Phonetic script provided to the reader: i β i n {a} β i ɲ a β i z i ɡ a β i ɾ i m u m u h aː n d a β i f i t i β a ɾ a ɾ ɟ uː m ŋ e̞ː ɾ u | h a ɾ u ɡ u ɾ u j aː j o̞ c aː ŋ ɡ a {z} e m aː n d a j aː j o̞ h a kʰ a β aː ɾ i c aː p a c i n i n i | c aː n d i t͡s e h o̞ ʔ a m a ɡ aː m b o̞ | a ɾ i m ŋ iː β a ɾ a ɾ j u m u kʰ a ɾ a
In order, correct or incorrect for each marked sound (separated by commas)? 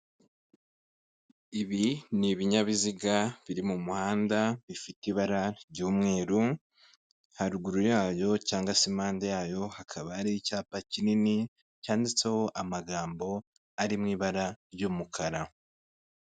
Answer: incorrect, incorrect